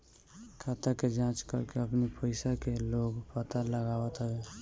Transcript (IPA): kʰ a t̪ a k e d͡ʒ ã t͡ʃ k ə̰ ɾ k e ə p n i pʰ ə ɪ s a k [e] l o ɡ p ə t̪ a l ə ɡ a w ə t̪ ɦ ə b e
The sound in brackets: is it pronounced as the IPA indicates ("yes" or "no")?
yes